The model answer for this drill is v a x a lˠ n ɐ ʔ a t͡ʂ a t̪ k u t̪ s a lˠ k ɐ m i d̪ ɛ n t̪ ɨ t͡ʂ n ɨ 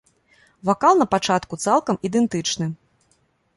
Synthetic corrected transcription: v a k a lˠ n ɐ p a t͡ʂ a t̪ k u t̪ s a lˠ k ɐ m i d̪ ɛ n t̪ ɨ t͡ʂ n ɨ